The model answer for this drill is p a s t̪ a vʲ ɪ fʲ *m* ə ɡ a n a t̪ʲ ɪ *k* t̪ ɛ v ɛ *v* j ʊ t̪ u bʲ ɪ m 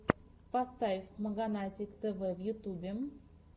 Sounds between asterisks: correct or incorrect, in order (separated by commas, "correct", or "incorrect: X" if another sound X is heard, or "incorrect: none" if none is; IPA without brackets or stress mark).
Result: correct, correct, correct